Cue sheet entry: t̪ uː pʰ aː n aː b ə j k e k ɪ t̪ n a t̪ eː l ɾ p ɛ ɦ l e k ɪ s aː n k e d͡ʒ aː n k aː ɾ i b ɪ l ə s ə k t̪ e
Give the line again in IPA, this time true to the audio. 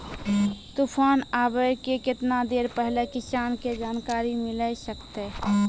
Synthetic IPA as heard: t̪ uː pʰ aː n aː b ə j k e k ɪ t̪ n a d̪ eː ɾ p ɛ ɦ l e k ɪ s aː n k e d͡ʒ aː n k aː ɾ i m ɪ l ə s ə k t̪ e